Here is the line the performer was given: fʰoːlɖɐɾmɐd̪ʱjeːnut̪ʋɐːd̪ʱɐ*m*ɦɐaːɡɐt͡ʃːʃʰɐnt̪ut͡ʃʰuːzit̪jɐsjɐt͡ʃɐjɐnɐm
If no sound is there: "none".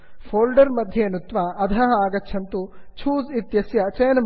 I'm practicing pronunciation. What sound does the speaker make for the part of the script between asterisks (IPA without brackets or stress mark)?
none